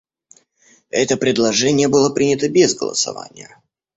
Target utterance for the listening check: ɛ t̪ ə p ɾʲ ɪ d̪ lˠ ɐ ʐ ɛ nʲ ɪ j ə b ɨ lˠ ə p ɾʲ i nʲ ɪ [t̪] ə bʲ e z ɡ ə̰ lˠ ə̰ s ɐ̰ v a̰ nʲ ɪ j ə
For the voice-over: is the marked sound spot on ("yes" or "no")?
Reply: yes